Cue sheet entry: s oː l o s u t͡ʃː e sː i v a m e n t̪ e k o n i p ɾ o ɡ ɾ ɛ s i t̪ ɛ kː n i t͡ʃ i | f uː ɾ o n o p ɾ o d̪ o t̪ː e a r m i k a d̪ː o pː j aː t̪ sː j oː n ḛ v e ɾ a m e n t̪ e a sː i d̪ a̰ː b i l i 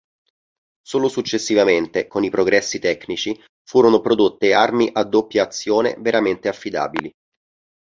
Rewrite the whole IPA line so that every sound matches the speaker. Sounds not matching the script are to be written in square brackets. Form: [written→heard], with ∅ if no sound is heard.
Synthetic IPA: s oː l o s u t͡ʃː e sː i v a m e n t̪ e k o n i p ɾ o ɡ ɾ ɛ [s→sː] i t̪ ɛ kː n i t͡ʃ i | f uː ɾ o n o p ɾ o d̪ o t̪ː e a r m i [k→ʔ] a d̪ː o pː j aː t̪ sː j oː n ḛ v e ɾ a m e n t̪ e a [sː→fː] i d̪ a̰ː b i l i